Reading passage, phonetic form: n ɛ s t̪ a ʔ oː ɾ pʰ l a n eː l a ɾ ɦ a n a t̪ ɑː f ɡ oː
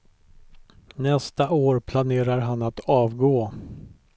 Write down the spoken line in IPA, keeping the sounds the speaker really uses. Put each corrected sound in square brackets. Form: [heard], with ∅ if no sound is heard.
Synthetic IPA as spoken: n ɛ s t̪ a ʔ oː ɾ pʰ l a n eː [ɾ] a ɾ ɦ a n a t̪ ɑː [v] ɡ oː